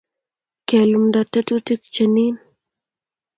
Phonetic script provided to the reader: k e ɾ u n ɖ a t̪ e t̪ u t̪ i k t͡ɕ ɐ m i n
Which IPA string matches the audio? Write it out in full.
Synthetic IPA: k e l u m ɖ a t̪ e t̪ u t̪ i k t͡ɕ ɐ n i n